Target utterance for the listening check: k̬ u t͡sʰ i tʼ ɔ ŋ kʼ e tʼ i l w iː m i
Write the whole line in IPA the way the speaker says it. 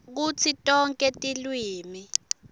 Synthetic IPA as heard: k̬ u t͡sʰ i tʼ ɔ ŋ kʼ ɛ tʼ i l w iː m i